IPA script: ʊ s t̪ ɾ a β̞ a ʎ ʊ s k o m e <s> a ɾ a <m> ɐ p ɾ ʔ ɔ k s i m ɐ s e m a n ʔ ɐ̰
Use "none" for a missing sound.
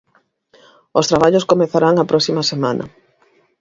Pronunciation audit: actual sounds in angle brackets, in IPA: θ, ŋ

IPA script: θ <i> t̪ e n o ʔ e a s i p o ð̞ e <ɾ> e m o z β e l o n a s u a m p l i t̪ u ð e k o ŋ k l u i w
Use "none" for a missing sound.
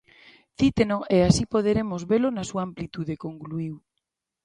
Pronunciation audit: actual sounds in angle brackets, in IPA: i, ɾ

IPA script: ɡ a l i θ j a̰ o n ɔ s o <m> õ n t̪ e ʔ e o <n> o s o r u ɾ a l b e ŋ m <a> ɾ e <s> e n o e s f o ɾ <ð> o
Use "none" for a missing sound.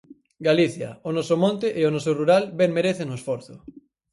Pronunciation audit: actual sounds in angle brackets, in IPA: m, n, e, θ, θ

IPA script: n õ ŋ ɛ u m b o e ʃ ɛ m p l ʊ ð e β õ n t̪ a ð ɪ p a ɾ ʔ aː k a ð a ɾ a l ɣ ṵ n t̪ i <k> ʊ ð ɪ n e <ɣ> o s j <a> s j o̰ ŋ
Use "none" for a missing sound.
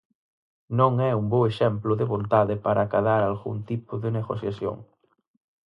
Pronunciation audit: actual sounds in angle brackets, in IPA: p, ɣ, a

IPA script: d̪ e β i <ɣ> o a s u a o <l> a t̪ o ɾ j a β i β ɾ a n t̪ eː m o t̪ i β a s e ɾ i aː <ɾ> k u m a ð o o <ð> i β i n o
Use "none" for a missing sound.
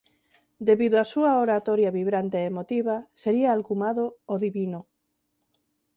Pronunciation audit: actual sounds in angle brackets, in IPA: ð, ɾ, l, ð

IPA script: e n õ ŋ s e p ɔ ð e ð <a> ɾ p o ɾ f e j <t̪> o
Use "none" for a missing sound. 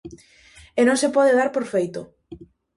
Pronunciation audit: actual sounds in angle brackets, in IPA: a, t̪

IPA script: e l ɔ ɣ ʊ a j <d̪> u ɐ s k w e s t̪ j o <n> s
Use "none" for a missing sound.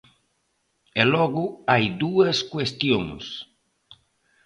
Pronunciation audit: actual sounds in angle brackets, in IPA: d̪, ŋ

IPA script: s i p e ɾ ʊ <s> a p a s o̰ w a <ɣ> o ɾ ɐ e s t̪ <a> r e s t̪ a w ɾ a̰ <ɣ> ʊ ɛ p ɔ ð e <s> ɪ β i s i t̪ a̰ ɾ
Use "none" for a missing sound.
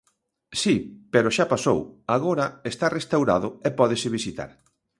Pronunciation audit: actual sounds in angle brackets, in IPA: ʃ, ɣ, a, ð, s

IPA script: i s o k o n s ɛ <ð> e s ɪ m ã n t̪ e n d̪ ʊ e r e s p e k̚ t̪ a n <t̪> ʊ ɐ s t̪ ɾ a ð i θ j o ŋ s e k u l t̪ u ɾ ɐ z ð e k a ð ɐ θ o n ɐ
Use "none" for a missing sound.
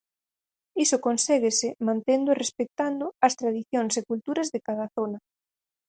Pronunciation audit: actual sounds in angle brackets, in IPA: ɣ, d̪

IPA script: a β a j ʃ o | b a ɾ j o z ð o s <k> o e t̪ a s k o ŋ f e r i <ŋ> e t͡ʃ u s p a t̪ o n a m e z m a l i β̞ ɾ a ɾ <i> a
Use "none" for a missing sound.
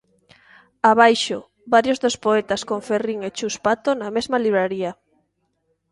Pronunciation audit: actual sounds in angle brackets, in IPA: p, ŋ, i

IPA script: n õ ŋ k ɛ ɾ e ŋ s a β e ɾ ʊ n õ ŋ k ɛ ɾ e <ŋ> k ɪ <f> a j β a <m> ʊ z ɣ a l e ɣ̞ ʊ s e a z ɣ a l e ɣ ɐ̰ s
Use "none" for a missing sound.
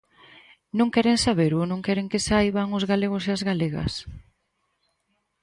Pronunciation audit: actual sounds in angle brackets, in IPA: ŋ, s, ŋ

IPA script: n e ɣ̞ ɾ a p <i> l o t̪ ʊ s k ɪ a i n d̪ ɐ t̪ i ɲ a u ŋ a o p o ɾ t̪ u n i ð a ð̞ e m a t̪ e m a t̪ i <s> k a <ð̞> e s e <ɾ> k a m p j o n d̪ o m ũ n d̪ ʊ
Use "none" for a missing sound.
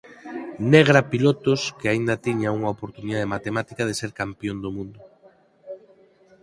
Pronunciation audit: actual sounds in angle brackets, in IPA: i, none, ð̞, ɾ

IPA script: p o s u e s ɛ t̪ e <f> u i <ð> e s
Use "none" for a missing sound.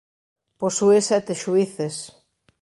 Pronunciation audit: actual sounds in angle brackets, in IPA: ʃ, θ

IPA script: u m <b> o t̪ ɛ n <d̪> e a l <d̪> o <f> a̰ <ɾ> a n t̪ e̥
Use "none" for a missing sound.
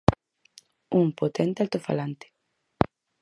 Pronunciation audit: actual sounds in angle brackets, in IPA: p, t̪, t̪, f, l

